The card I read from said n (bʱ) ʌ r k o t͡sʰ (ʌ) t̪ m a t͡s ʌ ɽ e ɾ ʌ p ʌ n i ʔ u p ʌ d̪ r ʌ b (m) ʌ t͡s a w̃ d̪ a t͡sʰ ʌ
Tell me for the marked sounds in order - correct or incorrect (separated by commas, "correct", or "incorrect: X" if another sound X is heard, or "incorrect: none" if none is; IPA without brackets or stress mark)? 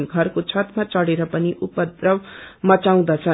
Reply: incorrect: ɡʱ, correct, correct